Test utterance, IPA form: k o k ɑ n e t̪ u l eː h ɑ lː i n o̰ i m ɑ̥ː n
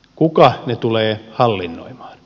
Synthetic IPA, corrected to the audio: k u k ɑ n e t̪ u l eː h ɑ lː i nː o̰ i m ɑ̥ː n